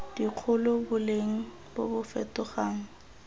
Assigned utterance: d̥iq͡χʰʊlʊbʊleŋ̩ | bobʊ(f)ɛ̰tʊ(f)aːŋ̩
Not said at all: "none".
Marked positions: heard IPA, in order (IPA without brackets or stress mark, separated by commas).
f, χ